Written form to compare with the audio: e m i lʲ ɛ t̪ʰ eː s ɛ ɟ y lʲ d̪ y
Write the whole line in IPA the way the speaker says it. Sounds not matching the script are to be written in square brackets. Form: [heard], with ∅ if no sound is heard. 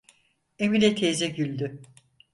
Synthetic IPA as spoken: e m i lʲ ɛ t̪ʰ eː [z] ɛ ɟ y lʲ d̪ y